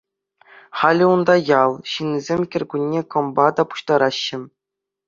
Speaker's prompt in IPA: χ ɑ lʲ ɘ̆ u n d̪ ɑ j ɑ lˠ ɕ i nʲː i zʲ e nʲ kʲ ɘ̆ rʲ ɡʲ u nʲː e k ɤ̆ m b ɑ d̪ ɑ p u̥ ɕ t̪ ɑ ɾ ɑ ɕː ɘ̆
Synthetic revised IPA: χ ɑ lʲ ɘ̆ u n d̪ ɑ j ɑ lˠ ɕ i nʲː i zʲ e mʲ kʲ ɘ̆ rʲ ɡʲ u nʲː e k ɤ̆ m b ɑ d̪ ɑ p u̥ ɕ t̪ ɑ ɾ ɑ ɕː ɘ̆